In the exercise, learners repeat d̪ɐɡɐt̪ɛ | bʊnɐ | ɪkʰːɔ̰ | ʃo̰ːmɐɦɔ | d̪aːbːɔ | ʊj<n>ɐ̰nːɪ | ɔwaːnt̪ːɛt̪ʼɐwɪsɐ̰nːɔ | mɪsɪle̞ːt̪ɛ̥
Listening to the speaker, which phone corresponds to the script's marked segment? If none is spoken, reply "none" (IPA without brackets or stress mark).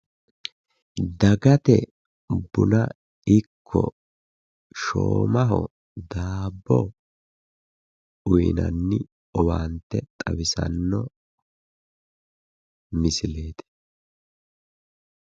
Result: n